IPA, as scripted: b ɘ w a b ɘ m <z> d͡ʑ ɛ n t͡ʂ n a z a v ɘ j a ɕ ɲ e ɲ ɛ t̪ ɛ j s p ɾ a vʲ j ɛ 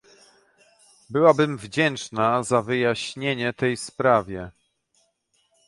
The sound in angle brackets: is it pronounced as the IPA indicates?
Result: no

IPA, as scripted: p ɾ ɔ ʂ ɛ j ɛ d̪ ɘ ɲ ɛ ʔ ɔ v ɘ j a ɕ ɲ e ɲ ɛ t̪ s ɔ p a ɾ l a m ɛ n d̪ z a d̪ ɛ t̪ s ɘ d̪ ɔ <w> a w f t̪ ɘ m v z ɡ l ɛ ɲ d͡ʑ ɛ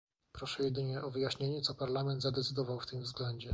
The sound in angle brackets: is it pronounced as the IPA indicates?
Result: no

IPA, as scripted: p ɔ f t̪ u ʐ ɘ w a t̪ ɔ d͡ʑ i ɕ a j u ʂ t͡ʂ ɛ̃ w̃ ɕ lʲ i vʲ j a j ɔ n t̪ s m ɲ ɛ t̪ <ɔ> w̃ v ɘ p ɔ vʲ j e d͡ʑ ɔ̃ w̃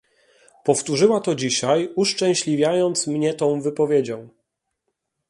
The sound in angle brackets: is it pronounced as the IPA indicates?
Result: no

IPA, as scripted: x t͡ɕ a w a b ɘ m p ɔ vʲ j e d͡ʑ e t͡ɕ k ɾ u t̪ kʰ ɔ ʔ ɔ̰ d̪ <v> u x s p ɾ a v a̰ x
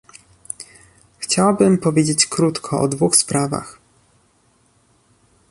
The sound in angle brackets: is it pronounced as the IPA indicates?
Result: yes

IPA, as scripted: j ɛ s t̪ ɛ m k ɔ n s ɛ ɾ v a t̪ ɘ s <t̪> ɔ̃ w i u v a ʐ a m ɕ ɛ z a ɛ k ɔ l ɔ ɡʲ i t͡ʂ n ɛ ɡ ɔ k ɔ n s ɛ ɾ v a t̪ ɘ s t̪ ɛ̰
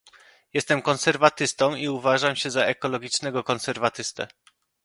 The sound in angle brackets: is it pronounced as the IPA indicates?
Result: yes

